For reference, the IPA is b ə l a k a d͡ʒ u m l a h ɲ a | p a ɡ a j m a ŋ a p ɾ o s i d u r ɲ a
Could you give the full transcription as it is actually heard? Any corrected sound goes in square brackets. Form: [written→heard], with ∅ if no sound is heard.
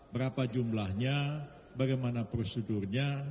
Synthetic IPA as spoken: b ə [l→ɾ] a [k→p] a d͡ʒ u m l a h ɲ a | [p→b] a ɡ a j m a [ŋ→n] a p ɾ o s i d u r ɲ a

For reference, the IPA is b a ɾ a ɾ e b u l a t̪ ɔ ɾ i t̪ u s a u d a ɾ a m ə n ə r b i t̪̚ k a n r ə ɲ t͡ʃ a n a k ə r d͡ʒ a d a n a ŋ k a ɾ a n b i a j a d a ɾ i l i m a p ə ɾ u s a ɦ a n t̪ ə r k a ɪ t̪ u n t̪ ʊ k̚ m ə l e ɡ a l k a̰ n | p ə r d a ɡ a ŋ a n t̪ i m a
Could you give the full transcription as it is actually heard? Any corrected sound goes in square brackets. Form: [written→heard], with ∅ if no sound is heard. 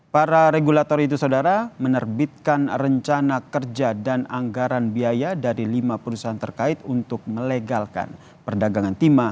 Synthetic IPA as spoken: [b→p] a ɾ a ɾ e [b→ɡ] u l a t̪ ɔ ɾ i t̪ u s a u d a ɾ a m ə n ə r b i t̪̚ k a n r ə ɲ t͡ʃ a n a k ə r d͡ʒ a d a n a ŋ [k→ɡ] a ɾ a n b i a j a d a ɾ i l i m a p ə ɾ u s a ɦ a n t̪ ə r k a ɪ t̪ u n t̪ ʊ k̚ m ə l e ɡ a l k a̰ n | p ə r d a ɡ a ŋ a n t̪ i m a

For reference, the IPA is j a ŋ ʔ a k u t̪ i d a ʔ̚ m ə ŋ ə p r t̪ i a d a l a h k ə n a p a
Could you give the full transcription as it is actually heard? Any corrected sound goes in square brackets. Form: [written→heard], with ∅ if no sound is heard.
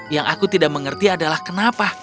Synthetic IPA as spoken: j a ŋ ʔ a k u t̪ i d a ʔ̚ m ə ŋ ə [p→∅] r t̪ i a d a l a h k ə n a p a

